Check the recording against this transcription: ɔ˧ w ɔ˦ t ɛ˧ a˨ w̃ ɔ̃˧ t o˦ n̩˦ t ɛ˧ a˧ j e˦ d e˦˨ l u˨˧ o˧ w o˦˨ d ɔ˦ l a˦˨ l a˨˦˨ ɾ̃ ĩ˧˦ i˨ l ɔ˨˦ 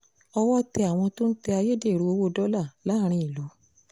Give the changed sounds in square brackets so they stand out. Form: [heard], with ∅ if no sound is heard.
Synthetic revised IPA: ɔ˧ w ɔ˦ t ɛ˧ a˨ w̃ ɔ̃˧ t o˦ n̩˦ t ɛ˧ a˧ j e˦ d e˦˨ [ɾ] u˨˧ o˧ w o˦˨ d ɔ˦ l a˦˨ l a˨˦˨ ɾ̃ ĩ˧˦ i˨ l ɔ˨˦